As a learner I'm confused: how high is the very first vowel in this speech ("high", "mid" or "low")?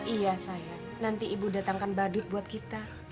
high